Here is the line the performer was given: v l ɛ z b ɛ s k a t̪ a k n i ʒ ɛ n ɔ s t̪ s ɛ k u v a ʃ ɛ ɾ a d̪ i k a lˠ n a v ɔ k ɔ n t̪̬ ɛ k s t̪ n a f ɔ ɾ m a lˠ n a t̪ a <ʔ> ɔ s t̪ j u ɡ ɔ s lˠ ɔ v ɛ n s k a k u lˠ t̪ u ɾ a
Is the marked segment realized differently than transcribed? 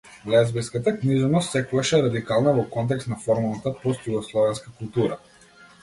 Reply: yes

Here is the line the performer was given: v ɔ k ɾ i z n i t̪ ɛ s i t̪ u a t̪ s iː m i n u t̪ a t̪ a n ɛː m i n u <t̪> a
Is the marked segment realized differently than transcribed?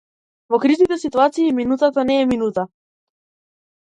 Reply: no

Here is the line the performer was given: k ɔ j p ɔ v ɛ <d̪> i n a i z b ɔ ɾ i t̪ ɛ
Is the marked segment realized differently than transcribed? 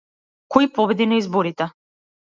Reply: no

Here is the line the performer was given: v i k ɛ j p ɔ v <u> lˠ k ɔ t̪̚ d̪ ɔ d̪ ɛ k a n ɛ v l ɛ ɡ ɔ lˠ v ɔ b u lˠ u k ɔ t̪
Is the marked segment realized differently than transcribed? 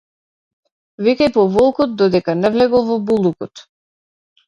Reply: yes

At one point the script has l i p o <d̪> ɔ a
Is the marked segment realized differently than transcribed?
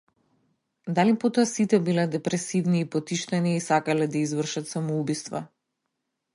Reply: yes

